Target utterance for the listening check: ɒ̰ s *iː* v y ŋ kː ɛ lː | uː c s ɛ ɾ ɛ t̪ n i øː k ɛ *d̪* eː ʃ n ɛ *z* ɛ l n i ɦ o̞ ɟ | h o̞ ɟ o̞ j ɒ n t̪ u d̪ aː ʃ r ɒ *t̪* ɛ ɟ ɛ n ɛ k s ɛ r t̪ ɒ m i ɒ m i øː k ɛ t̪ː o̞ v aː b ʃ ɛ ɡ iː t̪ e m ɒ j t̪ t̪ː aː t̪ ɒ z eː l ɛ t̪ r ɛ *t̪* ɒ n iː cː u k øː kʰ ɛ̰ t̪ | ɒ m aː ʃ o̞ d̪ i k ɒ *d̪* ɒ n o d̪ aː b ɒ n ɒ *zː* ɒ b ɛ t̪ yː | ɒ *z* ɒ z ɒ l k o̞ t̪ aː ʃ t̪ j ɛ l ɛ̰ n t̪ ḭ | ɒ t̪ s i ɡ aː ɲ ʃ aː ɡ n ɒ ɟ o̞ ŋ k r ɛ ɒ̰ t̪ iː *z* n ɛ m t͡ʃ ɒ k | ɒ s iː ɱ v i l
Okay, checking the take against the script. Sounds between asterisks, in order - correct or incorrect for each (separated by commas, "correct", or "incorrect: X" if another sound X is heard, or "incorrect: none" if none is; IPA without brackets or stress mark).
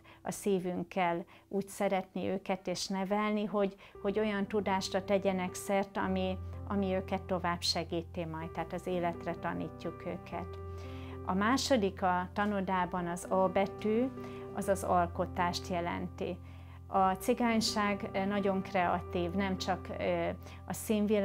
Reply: correct, incorrect: t̪, incorrect: v, correct, correct, incorrect: t̪, incorrect: z, correct, incorrect: v